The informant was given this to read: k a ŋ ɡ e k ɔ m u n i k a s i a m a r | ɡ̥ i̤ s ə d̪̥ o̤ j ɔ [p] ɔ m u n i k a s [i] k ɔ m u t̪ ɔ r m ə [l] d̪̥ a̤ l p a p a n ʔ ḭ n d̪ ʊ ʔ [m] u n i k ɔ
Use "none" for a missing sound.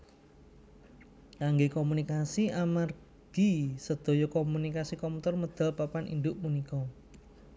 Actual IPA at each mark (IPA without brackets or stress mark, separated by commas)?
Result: k, i, none, m